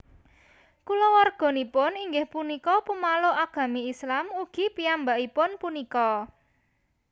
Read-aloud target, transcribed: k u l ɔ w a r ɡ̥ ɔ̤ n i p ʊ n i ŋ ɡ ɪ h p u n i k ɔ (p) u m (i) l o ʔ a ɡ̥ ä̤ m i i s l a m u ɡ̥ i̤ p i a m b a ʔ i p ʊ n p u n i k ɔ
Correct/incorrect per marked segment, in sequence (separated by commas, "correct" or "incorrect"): correct, incorrect